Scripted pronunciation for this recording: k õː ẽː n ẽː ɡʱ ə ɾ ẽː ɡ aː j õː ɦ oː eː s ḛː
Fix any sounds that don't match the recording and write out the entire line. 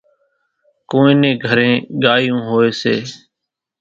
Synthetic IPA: k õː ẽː n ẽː ɡʱ ə ɾ ẽː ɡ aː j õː ɦ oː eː s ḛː